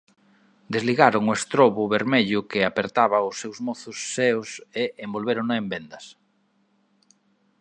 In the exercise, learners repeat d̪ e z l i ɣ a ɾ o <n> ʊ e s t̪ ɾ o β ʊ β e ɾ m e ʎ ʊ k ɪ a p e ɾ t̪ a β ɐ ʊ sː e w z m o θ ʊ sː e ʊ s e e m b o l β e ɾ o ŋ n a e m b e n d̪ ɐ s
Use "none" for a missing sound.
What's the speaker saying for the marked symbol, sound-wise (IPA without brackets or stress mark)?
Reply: ŋ